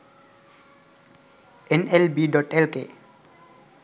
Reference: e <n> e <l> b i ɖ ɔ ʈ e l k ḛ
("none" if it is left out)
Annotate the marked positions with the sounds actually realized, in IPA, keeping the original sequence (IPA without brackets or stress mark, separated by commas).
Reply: n, l